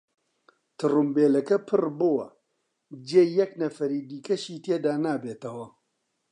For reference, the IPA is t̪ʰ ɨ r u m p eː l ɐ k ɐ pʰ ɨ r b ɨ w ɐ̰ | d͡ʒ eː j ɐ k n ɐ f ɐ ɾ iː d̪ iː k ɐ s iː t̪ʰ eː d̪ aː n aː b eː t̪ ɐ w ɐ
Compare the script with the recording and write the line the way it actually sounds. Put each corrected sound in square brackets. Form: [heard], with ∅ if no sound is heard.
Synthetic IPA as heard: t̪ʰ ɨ r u m [b] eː l ɐ k ɐ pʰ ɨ r b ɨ w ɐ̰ | d͡ʒ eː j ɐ k n ɐ f ɐ ɾ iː d̪ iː k ɐ [ʃ] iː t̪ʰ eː d̪ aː n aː b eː t̪ ɐ w ɐ